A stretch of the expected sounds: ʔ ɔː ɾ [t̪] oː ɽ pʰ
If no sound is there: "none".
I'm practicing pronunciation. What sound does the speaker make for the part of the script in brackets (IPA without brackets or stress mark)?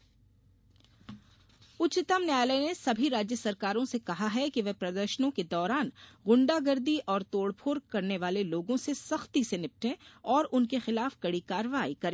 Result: t̪